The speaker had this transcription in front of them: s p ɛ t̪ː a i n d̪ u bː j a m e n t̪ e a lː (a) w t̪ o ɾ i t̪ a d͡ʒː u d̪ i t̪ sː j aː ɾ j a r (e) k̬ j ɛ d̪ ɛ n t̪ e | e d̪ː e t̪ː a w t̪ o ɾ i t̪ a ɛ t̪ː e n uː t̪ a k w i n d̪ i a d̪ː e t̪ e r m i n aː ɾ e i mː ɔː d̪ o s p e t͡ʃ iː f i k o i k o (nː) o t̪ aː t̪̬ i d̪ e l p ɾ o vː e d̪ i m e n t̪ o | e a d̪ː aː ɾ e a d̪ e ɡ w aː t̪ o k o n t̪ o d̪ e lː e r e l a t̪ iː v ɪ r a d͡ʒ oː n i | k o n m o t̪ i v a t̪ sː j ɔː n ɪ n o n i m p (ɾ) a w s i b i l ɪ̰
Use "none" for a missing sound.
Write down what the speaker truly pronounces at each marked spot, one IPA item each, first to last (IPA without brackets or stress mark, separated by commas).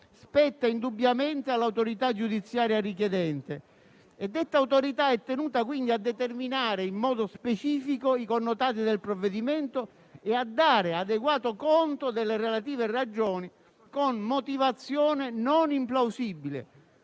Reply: a, i, nː, l